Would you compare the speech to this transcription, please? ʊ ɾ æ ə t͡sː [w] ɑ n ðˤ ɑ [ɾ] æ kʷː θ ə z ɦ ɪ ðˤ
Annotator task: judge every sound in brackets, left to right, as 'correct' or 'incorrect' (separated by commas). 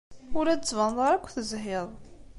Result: incorrect, correct